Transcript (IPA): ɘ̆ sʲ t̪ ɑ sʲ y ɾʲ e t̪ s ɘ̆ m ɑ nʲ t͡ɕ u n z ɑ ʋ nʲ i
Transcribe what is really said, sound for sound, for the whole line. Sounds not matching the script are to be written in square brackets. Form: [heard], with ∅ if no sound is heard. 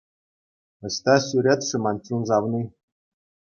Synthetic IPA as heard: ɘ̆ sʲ t̪ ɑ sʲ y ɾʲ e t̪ [ʂ] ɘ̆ m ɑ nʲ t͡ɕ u n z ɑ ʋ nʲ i